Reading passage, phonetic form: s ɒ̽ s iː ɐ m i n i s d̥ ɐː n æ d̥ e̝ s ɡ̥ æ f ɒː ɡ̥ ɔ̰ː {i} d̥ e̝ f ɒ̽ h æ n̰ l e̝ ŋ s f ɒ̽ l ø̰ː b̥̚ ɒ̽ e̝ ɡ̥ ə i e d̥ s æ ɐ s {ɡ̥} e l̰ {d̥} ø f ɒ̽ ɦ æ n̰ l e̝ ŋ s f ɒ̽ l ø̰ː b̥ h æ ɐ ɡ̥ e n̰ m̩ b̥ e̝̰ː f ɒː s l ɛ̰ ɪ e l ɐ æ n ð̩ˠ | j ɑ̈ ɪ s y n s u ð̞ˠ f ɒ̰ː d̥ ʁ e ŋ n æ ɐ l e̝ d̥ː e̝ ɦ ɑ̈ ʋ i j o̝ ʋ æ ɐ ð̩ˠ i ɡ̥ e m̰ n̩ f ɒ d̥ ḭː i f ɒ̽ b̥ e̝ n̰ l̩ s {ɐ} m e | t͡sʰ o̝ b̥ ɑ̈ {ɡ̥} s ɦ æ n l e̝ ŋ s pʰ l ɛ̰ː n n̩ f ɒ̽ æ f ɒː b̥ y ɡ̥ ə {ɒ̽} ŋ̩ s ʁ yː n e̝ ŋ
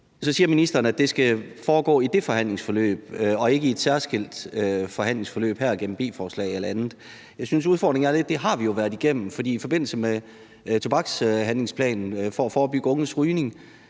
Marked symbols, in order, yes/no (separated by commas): yes, yes, yes, no, yes, no